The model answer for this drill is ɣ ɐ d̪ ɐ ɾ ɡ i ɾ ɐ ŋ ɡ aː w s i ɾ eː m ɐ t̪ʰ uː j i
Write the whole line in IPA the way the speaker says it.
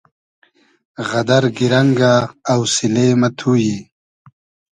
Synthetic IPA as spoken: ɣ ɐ d̪ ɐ ɾ ɡ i ɾ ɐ ŋ ɡ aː w s i l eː m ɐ t̪ʰ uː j i

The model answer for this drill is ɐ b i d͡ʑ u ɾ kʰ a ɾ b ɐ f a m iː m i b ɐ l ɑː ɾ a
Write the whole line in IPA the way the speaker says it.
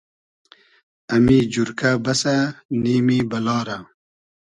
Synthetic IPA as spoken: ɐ m i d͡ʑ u ɾ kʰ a b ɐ s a n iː m i b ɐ l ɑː ɾ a

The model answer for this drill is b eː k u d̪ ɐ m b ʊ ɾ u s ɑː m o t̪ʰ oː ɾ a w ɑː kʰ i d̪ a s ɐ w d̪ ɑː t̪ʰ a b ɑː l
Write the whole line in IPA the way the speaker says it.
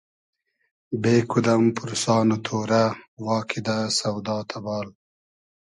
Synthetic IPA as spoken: b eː k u d̪ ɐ m p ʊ ɾ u s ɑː n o t̪ʰ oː ɾ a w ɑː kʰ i d̪ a s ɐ w d̪ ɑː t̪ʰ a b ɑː l

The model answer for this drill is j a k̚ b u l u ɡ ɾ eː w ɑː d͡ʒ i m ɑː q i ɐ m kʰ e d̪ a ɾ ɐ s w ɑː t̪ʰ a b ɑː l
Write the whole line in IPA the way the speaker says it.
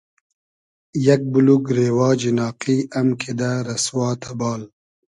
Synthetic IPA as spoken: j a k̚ b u l u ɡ ɾ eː w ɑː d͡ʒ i n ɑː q i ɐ m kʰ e d̪ a ɾ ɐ s w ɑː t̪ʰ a b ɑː l

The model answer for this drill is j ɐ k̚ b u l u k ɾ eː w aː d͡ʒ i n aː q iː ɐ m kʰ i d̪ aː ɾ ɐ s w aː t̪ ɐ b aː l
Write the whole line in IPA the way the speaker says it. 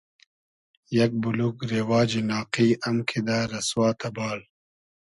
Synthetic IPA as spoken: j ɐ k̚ b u l u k ɾ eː w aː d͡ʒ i n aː q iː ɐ m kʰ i d̪ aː ɾ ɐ s w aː t̪ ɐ b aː l

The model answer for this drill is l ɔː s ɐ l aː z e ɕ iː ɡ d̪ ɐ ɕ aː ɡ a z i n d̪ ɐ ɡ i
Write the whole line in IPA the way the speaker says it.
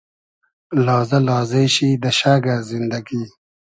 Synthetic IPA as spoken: l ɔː z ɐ l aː z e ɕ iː d̪ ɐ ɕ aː ɡ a z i n d̪ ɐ ɡ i

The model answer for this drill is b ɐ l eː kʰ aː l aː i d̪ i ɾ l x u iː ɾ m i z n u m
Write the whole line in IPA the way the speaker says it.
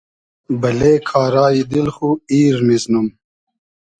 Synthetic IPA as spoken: b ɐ l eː kʰ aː ɾ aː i d̪ i l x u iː ɾ m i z n u m

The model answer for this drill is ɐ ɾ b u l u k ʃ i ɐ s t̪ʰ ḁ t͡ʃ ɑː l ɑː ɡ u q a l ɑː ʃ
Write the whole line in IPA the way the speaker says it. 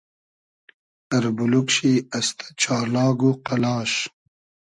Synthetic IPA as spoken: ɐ ɾ b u l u k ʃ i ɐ s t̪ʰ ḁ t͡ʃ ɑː l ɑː ɡ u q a l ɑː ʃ

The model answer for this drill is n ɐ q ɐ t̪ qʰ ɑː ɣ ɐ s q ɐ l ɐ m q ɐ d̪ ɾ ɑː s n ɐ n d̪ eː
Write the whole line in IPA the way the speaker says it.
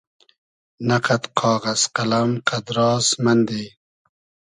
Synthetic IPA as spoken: n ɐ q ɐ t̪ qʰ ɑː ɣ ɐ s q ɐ l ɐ m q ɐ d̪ ɾ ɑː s m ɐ n d̪ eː

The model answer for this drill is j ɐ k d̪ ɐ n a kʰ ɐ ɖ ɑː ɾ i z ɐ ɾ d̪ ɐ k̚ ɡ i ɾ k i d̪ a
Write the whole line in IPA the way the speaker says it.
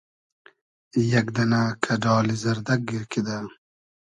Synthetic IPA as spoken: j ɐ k d̪ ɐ n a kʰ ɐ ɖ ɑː l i z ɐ ɾ d̪ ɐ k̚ ɡ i ɾ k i d̪ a

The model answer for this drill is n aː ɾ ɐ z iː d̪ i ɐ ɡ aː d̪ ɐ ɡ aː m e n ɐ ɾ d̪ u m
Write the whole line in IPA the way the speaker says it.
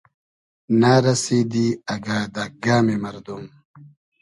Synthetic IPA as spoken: n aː ɾ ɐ s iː d̪ i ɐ ɡ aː d̪ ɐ ɡ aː m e m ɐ ɾ d̪ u m

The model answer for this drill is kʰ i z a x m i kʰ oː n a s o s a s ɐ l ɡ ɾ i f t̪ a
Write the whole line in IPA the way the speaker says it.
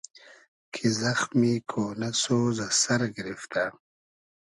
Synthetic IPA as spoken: kʰ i z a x m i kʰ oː n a s o z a s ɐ ɾ ɡ ɾ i f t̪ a

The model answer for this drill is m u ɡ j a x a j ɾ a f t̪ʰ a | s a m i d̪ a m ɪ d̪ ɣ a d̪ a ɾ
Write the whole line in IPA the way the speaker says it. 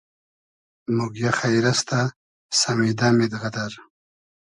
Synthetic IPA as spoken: m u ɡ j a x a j ɾ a s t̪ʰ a | s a m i d̪ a m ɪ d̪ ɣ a d̪ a ɾ

